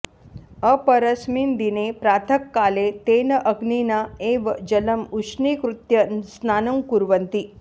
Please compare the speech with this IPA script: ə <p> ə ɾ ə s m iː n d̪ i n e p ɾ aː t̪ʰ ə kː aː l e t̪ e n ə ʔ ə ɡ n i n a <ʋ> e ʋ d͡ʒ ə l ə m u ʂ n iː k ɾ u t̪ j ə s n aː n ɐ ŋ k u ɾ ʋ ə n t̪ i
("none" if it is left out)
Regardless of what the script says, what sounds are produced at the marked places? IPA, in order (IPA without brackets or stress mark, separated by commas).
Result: p, none